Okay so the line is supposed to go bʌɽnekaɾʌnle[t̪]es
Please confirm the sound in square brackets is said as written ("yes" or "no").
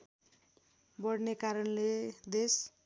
no